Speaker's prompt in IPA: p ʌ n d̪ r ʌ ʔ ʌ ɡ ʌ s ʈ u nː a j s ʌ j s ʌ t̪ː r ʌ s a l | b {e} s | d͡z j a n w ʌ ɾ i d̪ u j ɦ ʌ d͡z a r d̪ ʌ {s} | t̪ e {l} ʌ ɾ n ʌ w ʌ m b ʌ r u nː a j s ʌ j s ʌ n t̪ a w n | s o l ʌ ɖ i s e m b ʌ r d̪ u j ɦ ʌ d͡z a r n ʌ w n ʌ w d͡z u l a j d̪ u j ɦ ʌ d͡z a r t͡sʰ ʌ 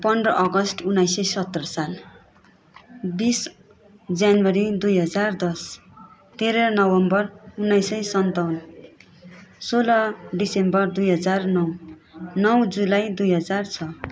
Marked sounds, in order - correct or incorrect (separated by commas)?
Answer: incorrect, correct, incorrect